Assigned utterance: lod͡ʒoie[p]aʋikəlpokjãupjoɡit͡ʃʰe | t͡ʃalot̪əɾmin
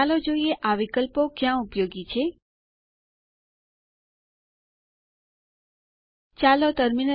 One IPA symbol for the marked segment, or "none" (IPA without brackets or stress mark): ʔ